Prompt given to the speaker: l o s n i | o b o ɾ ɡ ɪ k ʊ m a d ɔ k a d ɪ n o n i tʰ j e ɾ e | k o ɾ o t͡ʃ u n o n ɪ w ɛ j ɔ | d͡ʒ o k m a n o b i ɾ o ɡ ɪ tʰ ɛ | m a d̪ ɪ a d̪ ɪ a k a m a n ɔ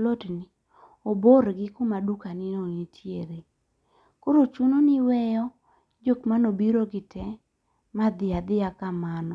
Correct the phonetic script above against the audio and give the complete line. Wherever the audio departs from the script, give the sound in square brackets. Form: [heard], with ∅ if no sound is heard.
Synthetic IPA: l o [t] n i | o b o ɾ ɡ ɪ k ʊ m a d [u] k a [n] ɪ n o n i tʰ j e ɾ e | k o ɾ o t͡ʃ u n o n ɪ w ɛ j ɔ | d͡ʒ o k m a n o b i ɾ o ɡ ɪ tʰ ɛ | m a d̪ ɪ a d̪ ɪ a k a m a n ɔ